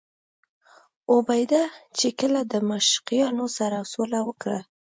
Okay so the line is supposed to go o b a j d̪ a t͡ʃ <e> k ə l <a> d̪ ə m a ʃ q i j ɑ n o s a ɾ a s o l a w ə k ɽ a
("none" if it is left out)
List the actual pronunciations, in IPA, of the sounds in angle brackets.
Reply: e, a

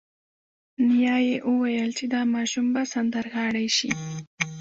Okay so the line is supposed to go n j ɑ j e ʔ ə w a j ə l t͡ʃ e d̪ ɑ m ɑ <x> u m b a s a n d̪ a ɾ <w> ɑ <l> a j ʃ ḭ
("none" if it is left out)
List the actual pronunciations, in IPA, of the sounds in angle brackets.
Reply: ʃ, ɣ, ɽ

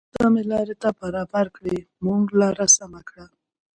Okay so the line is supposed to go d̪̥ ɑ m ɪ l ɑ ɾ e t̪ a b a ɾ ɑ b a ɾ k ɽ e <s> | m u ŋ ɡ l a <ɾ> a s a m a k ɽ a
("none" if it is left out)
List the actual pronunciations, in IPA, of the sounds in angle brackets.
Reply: none, ɾ

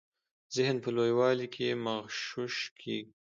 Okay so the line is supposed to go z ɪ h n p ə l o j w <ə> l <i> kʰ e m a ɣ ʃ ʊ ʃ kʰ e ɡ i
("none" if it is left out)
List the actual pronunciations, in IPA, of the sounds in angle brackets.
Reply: ɑ, i

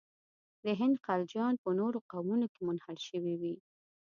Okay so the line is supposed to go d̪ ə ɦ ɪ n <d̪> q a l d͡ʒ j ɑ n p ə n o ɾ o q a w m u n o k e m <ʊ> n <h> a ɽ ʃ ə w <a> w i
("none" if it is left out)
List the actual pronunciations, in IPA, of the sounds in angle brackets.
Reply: d̪, ʊ, h, i

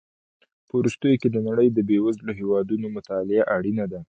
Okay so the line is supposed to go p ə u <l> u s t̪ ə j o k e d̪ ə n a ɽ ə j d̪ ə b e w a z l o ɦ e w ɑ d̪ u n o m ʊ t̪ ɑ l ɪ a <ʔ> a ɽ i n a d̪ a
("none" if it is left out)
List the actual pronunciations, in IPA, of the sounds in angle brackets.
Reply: ɾ, ʔ

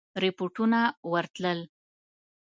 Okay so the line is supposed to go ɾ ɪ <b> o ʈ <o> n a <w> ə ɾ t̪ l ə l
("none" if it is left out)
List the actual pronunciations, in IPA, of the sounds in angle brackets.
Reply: p, u, w

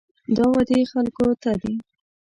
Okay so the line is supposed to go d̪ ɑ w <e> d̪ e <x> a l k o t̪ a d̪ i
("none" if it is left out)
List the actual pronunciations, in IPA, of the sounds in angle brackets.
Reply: a, x

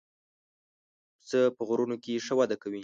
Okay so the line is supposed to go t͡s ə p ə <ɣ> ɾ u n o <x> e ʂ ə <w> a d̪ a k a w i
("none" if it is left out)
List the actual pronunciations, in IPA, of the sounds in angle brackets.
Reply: ɣ, k, w

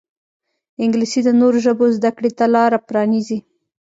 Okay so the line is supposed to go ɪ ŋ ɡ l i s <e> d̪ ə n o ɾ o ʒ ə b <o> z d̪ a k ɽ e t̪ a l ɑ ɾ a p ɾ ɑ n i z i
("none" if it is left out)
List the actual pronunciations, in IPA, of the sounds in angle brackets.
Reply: i, o

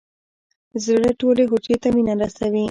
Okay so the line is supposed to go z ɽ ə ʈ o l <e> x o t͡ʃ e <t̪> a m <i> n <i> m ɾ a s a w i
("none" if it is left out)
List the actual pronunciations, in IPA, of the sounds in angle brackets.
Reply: e, t̪, i, a

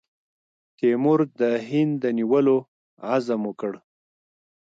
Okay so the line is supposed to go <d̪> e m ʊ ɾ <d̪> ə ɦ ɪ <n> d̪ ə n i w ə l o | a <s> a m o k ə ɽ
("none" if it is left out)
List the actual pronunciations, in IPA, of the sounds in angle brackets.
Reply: t̪, d̪, n, z

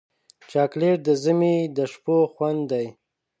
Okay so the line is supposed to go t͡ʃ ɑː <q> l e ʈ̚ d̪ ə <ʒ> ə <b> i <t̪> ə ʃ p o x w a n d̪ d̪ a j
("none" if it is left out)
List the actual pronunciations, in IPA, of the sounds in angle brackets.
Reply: k, z, m, d̪

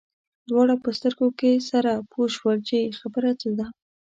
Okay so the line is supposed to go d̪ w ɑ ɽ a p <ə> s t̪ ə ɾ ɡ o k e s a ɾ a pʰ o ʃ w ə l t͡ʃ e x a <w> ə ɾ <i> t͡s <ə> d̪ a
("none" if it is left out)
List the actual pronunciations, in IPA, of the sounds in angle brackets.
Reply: ə, b, a, ə

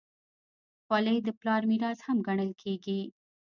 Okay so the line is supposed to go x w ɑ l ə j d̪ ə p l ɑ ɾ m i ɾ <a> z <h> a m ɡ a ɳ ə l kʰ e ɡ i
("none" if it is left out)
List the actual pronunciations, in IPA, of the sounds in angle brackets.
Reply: ɑ, h

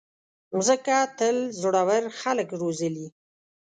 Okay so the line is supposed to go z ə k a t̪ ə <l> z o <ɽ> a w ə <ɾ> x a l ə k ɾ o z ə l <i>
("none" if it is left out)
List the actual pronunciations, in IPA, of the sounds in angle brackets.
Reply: l, ɽ, ɾ, i

